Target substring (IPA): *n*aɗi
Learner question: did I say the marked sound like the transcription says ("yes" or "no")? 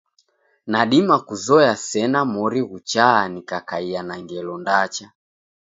yes